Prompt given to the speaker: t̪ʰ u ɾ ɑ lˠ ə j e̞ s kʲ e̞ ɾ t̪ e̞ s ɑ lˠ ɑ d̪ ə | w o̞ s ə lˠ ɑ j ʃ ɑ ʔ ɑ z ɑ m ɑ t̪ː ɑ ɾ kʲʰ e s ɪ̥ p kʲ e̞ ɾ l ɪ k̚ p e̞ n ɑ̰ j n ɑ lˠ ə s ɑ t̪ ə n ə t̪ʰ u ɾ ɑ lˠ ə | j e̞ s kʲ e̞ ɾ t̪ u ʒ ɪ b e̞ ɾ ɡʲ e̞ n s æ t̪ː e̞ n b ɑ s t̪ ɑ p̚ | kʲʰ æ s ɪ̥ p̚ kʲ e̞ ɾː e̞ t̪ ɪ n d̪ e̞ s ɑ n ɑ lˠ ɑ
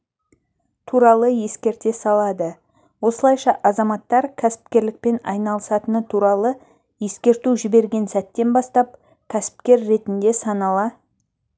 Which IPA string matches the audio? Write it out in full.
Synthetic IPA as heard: t̪ʰ u ɾ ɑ lˠ ə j e̞ s kʲ e̞ ɾ t̪ e̞ s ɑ lˠ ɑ d̪ ə | w o̞ s ə lˠ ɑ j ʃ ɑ ʔ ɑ z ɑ m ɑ t̪ː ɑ ɾ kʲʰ æ s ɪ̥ p kʲ e̞ ɾ l ɪ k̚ p e̞ n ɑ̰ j n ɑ lˠ ə s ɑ t̪ ə n ə t̪ʰ u ɾ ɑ lˠ ə | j e̞ s kʲ e̞ ɾ t̪ u ʒ ɪ b e̞ ɾ ɡʲ e̞ n s æ t̪ː e̞ n b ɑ s t̪ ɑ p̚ | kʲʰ æ s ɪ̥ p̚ kʲ e̞ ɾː e̞ t̪ ɪ n d̪ e̞ s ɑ n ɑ lˠ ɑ